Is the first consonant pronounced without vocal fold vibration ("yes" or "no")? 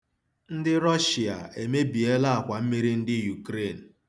no